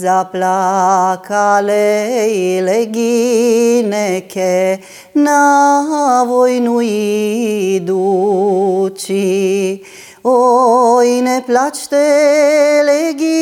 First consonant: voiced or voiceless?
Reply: voiced